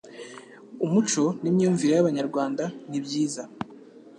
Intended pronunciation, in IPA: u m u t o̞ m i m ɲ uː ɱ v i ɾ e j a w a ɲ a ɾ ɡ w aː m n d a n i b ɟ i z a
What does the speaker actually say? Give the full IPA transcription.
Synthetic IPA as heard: u m u t͡ʃ o̞ n i m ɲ uː ɱ v i ɾ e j a β a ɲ a ɾ ɡ w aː n d a n i b ɟ iː z a